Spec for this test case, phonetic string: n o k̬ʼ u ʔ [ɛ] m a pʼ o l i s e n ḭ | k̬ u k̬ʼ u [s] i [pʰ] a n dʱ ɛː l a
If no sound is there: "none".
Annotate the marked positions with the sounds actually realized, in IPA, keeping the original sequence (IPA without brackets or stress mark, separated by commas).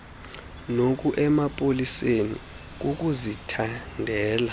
ɛ, z, tʰ